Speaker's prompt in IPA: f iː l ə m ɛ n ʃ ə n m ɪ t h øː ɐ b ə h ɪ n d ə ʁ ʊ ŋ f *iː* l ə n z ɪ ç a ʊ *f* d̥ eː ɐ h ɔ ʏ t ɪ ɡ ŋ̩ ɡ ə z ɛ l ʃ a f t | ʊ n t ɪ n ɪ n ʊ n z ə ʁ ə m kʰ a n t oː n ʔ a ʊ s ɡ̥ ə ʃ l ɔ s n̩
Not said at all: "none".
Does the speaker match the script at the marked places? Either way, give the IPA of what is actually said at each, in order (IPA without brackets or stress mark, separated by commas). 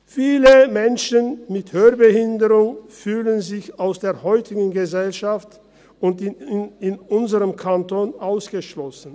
yː, s